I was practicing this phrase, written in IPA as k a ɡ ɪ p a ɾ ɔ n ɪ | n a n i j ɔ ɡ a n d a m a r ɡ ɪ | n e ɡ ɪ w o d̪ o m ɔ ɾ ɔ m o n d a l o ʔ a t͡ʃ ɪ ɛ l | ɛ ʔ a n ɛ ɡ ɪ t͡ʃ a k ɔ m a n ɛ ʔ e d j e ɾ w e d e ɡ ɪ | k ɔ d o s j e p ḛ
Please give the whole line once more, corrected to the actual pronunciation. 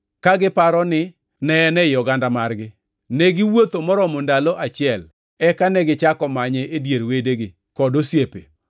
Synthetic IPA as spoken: k a ɡ ɪ p a ɾ ɔ n ɪ | n ɛ n ɛ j ɔ ɡ a n d a m a r ɡ ɪ | n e ɡ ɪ w o t̪ o m ɔ ɾ ɔ m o n d a l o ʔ a t͡ʃ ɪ ɛ l | ɛ k a n ɛ ɡ ɪ t͡ʃ a k ɔ m a ɲ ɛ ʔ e d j e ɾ w e d e ɡ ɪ | k ɔ d o s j e p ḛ